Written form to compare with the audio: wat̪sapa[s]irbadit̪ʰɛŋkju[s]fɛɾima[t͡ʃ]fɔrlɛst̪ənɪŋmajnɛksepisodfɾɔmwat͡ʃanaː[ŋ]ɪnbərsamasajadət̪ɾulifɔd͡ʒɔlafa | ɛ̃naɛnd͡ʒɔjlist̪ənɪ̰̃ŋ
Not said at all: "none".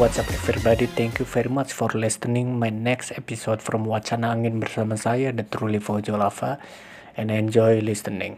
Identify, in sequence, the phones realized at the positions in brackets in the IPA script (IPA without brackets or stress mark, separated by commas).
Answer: f, none, t͡ʃ, ŋ